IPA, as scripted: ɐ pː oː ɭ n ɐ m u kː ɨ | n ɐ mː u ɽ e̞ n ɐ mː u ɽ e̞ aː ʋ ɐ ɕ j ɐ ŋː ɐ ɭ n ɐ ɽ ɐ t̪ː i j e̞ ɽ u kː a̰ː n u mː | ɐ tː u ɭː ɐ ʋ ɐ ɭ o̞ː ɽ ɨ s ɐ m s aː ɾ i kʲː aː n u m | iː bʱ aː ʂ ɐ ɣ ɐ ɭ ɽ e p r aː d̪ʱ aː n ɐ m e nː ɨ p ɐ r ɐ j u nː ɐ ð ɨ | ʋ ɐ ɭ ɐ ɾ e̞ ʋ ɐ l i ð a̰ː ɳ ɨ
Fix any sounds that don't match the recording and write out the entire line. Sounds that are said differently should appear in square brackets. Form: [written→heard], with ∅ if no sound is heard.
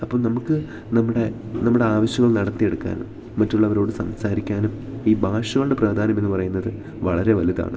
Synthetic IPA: ɐ pː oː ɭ n ɐ m u kː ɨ | n ɐ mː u ɽ e̞ n ɐ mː u ɽ e̞ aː ʋ ɐ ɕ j ɐ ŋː ɐ ɭ n ɐ ɽ ɐ t̪ː i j e̞ ɽ u kː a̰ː n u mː | ɐ tː u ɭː ɐ ʋ ɐ [ɭ→ɾ] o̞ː ɽ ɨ s ɐ m s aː ɾ i kʲː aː n u m | iː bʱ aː ʂ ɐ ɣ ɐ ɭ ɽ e p r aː d̪ʱ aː n ɐ m e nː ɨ p ɐ r ɐ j u nː ɐ ð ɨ | ʋ ɐ ɭ ɐ ɾ e̞ ʋ ɐ l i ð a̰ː ɳ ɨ